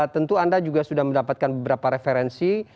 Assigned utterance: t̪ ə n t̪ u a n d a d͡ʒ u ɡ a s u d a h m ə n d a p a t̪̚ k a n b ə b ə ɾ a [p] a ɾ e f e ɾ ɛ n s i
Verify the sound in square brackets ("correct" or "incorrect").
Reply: correct